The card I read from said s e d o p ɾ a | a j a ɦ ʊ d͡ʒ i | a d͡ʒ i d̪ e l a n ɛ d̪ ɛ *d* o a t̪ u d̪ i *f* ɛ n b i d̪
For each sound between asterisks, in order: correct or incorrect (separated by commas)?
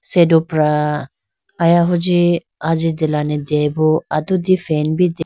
incorrect, correct